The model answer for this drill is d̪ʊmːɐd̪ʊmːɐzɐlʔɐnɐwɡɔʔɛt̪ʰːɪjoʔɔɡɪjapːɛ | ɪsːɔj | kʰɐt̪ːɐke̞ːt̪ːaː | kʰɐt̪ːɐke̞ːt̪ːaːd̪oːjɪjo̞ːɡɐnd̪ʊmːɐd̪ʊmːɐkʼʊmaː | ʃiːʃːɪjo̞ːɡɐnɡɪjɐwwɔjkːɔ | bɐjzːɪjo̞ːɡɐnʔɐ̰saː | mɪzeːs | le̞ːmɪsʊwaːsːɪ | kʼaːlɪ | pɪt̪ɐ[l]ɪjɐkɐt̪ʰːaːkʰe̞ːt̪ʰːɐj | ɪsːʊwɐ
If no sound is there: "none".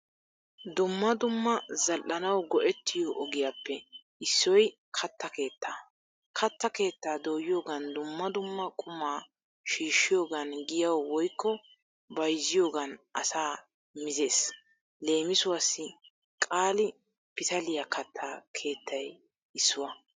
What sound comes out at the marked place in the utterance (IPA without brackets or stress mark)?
l